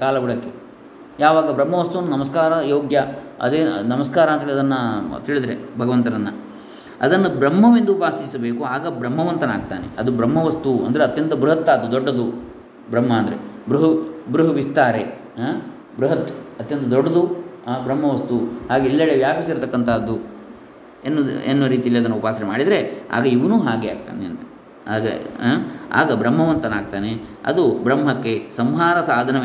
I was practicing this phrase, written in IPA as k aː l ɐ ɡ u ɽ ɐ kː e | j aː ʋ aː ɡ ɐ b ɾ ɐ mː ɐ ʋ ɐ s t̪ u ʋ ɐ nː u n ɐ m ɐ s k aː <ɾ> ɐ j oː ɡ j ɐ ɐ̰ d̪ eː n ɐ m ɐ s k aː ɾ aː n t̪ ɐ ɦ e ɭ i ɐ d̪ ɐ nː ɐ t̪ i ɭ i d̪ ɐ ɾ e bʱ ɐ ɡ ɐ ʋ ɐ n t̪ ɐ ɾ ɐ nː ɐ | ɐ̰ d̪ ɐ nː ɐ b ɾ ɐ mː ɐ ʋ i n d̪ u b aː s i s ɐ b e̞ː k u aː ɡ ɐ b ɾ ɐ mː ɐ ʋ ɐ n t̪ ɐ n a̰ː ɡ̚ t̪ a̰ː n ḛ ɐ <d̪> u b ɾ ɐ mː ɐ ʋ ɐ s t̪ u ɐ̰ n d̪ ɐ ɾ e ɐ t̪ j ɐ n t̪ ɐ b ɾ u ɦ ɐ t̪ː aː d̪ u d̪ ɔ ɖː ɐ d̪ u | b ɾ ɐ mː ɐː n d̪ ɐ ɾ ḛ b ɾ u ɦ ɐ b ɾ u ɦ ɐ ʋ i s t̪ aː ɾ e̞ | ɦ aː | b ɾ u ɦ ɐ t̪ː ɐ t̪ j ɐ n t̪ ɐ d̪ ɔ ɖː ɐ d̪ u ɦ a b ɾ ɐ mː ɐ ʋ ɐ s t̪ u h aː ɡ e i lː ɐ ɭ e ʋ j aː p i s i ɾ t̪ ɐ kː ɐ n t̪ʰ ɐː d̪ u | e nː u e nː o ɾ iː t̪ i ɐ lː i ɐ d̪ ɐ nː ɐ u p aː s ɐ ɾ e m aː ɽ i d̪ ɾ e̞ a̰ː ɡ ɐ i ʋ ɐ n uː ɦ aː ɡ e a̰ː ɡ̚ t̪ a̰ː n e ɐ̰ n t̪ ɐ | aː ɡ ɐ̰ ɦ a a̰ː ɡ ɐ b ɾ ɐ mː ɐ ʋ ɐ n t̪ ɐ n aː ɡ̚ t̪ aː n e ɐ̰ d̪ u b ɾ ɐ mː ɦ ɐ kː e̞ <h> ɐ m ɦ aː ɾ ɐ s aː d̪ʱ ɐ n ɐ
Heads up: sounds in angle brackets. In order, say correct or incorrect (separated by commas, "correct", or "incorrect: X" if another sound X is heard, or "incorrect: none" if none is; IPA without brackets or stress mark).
correct, correct, incorrect: s